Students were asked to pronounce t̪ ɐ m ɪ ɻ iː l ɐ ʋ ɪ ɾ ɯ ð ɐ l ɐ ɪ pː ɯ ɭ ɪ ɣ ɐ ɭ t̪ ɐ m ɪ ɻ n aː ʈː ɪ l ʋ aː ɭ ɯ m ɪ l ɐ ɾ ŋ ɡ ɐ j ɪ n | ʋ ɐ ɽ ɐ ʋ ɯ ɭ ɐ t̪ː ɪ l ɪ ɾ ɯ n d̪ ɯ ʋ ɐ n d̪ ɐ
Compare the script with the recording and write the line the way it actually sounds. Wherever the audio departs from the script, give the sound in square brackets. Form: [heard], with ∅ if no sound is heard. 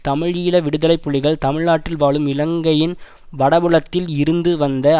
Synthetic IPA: t̪ ɐ m ɪ ɻ iː l ɐ ʋ ɪ [ɽ] ɯ ð ɐ l ɐ ɪ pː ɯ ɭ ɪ ɣ ɐ ɭ t̪ ɐ m ɪ ɻ n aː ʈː ɪ l ʋ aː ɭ ɯ m ɪ l ɐ [∅] ŋ ɡ ɐ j ɪ n | ʋ ɐ ɽ ɐ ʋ ɯ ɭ ɐ t̪ː ɪ l ɪ ɾ ɯ n d̪ ɯ ʋ ɐ n d̪ ɐ